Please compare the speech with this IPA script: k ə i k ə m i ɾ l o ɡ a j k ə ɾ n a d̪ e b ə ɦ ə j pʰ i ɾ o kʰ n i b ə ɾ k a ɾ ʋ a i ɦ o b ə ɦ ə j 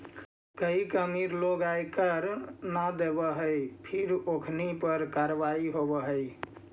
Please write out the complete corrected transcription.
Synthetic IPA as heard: k ə i k ə m i ɾ l o ɡ a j k ə ɾ n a d̪ e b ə ɦ ə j pʰ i ɾ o kʰ n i p ə ɾ k a ɾ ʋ a i ɦ o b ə ɦ ə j